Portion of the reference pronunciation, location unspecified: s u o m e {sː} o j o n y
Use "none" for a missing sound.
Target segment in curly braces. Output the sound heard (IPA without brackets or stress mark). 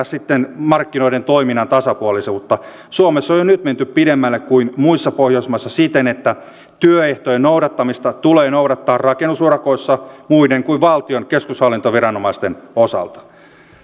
sː